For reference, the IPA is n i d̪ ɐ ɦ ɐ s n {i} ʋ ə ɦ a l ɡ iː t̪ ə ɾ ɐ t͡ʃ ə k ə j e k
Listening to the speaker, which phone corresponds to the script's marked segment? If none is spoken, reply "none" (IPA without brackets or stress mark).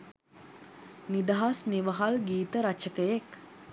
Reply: i